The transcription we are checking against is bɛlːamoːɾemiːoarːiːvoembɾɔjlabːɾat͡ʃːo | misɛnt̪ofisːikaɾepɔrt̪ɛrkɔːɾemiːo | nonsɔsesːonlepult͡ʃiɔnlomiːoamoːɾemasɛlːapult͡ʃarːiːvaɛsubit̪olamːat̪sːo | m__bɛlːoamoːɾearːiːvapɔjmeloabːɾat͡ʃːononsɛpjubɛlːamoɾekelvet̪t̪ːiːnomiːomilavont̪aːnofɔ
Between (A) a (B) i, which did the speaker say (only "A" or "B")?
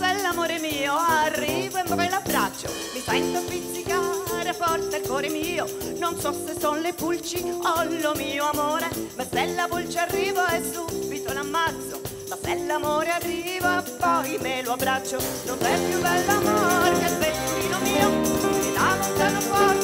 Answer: A